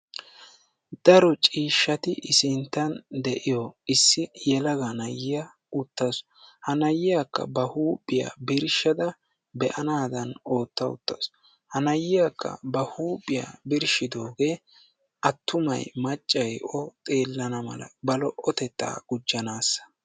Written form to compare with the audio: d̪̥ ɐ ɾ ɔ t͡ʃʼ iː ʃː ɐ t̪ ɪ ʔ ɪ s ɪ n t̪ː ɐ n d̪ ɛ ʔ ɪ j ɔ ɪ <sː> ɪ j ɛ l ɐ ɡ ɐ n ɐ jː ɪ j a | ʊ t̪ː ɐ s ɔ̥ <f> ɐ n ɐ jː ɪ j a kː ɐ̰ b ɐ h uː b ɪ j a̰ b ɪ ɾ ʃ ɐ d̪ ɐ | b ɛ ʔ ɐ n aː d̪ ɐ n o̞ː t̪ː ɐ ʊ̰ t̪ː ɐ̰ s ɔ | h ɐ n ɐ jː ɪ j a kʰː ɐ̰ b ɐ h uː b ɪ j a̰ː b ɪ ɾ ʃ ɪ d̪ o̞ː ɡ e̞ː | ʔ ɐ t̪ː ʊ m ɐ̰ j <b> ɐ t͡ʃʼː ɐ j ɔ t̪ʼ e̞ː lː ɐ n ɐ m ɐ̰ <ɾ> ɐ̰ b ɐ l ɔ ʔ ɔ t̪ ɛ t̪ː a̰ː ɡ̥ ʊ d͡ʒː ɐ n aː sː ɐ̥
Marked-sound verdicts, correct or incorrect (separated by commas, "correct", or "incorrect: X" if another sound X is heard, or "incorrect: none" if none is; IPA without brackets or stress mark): correct, incorrect: h, incorrect: m, incorrect: l